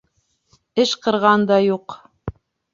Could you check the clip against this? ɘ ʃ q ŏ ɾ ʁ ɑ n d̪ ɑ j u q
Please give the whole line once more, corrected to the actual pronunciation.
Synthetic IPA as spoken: ɘ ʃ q ɤ̆ ɾ ʁ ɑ n d̪ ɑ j u q